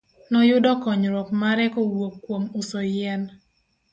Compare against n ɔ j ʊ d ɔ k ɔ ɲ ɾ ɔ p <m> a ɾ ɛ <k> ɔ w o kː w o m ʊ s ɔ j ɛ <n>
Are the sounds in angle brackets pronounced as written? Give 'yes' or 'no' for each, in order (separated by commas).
yes, yes, yes